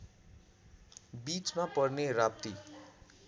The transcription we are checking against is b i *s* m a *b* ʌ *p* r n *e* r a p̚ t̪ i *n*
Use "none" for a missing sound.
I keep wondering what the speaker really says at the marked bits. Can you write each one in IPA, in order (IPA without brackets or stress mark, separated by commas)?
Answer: t͡s, p, none, e, none